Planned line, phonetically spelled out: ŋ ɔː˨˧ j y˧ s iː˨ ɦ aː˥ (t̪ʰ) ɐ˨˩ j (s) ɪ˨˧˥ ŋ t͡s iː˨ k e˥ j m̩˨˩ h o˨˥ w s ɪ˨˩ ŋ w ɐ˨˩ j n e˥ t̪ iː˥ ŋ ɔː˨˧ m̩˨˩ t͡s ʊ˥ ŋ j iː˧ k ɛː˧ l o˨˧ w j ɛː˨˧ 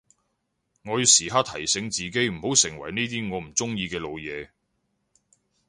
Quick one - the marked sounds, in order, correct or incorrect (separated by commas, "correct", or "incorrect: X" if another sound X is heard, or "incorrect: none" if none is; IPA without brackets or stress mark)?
correct, correct